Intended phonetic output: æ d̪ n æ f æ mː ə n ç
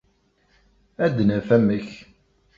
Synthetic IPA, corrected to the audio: æ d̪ n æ f æ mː ə ç